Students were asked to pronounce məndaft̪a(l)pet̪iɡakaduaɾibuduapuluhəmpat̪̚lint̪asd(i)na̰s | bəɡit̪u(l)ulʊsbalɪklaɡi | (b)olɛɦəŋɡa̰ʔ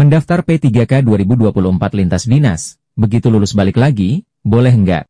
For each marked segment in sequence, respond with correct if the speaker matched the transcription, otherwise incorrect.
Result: incorrect, correct, correct, correct

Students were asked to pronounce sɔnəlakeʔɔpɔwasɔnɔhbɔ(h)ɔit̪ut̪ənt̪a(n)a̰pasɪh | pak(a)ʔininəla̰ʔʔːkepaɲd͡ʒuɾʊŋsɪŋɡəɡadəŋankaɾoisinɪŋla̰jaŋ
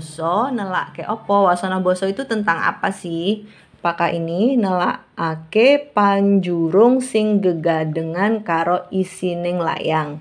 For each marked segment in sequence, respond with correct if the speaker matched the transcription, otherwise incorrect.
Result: incorrect, incorrect, correct

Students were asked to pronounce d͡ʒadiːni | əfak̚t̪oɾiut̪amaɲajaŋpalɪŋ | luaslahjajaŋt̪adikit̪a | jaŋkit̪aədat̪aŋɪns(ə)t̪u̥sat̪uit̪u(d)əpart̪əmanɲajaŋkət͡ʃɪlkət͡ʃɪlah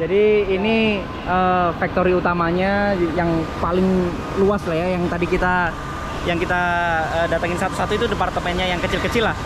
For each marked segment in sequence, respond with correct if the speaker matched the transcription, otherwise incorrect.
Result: incorrect, correct

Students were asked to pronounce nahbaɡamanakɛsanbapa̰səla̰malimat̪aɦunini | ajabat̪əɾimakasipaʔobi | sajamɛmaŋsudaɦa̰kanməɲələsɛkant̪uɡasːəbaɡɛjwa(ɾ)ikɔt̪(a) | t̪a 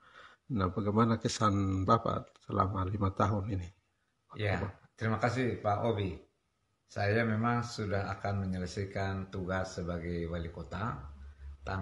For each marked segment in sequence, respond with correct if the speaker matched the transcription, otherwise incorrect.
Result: incorrect, correct

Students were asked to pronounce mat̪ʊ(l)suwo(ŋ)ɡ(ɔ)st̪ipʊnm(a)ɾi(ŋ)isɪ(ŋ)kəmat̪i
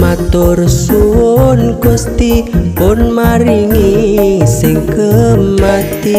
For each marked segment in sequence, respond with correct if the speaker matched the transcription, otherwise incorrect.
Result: incorrect, incorrect, incorrect, correct, correct, correct

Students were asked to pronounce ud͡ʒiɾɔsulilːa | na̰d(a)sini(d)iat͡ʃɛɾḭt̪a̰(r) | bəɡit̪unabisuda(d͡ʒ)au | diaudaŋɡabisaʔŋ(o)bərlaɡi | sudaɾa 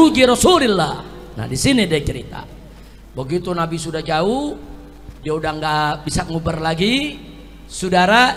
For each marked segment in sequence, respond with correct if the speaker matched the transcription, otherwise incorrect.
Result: incorrect, correct, incorrect, correct, incorrect

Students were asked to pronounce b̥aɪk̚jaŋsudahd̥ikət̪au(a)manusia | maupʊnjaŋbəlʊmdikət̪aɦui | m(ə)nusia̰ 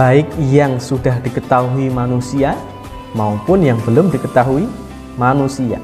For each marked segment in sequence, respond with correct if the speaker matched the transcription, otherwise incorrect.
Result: incorrect, incorrect

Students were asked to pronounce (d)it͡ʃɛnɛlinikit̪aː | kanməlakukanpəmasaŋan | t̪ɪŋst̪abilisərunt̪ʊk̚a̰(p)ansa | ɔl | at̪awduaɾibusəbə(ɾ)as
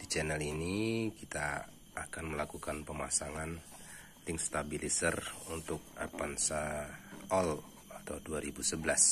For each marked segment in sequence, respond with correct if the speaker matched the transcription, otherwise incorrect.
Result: correct, correct, incorrect

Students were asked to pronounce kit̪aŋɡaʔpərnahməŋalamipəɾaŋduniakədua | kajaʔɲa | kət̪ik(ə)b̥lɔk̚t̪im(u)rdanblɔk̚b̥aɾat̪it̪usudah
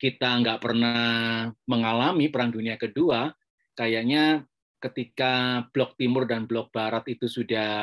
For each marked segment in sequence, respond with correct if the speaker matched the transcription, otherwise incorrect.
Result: incorrect, incorrect

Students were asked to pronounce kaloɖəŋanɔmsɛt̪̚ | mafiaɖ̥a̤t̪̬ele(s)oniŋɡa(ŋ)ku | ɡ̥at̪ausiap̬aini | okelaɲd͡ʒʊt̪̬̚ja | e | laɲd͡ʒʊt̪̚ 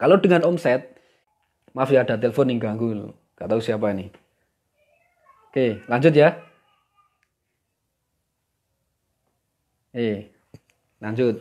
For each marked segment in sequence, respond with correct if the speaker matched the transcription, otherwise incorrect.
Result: incorrect, correct

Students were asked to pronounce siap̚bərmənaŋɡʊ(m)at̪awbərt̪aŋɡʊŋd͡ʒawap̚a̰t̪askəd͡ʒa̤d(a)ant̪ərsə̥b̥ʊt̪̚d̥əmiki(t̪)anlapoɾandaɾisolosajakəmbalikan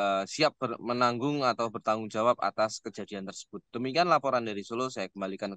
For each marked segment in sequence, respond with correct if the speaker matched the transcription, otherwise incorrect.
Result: incorrect, incorrect, incorrect

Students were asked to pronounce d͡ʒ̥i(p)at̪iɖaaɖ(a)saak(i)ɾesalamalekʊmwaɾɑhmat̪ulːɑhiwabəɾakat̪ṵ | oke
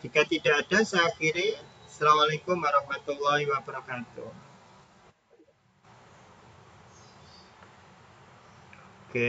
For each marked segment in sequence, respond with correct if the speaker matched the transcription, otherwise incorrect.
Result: incorrect, correct, correct

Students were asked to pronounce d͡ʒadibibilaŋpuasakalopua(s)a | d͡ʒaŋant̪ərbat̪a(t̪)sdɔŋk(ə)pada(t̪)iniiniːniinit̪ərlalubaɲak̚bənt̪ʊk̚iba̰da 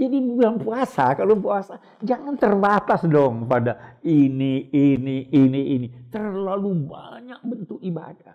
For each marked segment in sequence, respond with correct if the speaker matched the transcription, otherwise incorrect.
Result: correct, incorrect, correct, incorrect

